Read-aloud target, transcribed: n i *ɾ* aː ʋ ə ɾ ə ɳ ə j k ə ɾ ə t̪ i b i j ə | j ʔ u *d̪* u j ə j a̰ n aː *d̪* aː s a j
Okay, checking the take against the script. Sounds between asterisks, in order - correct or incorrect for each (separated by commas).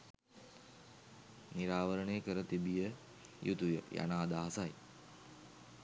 correct, incorrect, correct